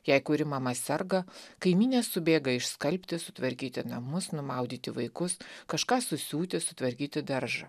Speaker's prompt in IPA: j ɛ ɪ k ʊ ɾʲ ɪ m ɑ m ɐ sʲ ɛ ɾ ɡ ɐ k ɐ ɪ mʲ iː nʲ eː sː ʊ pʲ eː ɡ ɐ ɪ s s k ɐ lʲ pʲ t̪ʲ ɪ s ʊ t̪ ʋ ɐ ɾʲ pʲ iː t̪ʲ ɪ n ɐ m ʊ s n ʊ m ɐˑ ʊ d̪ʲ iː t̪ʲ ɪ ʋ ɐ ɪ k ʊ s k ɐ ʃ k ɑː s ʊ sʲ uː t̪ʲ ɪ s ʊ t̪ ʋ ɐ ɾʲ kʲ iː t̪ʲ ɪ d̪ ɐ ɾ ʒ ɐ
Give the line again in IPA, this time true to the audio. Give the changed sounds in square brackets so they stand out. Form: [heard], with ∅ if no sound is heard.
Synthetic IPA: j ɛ ɪ k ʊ ɾʲ ɪ m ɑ m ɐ sʲ ɛ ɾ ɡ ɐ k ɐ ɪ mʲ iː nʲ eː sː ʊ [bʲ] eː ɡ ɐ ɪ [ʃ] s k ɐ lʲ pʲ t̪ʲ ɪ s ʊ t̪ ʋ ɐ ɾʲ [kʲ] iː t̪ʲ ɪ n ɐ m ʊ s n ʊ m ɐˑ ʊ d̪ʲ iː t̪ʲ ɪ ʋ ɐ ɪ k ʊ s k ɐ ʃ k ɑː s ʊ sʲ uː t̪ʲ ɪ s ʊ t̪ ʋ ɐ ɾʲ kʲ iː t̪ʲ ɪ d̪ ɐ ɾ ʒ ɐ